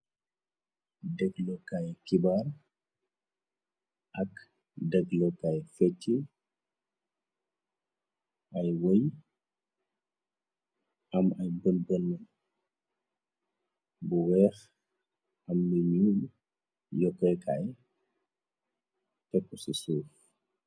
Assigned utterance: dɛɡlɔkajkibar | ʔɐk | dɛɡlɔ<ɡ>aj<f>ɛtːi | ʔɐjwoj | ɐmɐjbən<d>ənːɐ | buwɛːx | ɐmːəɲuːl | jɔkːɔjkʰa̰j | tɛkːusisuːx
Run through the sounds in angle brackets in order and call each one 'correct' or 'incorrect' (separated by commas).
incorrect, correct, incorrect